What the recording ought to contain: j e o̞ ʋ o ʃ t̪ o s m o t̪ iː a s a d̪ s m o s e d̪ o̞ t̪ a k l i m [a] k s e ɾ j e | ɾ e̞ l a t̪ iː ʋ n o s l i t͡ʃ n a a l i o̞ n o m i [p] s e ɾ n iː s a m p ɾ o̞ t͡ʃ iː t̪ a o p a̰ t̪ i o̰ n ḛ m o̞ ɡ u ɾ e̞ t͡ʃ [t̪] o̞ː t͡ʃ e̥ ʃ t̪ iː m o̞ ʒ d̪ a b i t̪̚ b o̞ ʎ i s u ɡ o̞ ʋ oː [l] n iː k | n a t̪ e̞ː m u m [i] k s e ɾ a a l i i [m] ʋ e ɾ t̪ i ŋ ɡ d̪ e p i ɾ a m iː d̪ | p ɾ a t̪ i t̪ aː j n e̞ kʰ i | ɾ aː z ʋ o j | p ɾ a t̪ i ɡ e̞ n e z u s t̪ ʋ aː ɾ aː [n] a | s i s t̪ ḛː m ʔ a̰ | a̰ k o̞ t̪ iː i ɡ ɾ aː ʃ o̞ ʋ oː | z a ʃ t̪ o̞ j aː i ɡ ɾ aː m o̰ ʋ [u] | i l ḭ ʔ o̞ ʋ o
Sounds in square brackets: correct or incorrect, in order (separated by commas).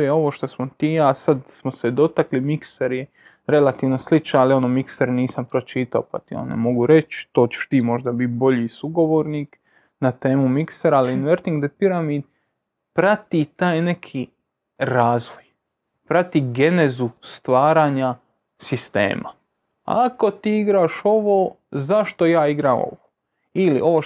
incorrect, incorrect, correct, incorrect, correct, incorrect, incorrect, incorrect